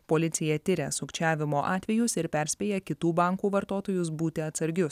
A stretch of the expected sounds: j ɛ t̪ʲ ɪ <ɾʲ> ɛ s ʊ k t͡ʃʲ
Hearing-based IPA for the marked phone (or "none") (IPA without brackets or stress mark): ɾʲ